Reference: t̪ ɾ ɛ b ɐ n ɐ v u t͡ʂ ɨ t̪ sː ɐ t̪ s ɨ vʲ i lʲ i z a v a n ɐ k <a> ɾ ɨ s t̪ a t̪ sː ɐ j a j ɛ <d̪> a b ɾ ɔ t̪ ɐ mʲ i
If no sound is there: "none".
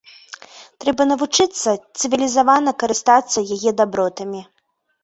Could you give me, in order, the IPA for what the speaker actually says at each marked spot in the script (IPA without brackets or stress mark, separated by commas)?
ɐ, d̪